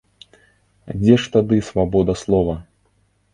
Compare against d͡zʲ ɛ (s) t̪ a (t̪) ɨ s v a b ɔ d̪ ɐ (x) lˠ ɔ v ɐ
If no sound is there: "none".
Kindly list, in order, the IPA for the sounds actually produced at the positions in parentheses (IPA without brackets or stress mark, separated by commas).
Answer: ʂ, d̪, s